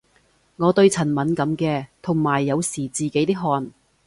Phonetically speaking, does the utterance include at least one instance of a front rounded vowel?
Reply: no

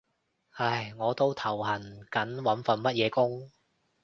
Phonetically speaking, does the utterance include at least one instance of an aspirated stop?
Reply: yes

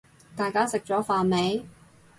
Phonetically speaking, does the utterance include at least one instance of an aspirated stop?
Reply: no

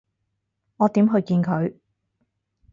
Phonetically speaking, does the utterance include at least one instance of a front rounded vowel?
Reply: no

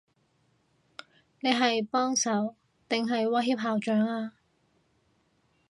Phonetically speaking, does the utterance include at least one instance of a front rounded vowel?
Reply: yes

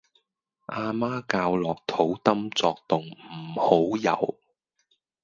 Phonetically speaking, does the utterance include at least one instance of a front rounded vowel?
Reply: no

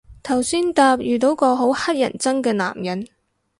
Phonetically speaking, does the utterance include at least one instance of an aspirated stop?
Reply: yes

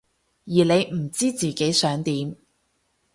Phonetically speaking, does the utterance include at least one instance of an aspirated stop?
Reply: no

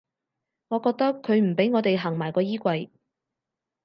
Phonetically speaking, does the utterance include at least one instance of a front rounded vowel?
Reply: no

